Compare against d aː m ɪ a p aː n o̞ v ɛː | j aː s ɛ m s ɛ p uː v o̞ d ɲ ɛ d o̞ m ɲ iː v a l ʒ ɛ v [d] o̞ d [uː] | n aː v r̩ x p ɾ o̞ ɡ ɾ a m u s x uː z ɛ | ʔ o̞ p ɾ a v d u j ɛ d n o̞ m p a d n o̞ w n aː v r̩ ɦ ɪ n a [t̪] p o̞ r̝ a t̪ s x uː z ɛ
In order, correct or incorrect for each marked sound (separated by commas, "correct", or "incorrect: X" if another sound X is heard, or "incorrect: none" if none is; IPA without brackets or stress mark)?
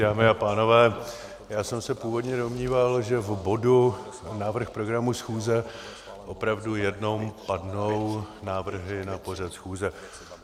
incorrect: b, incorrect: u, incorrect: none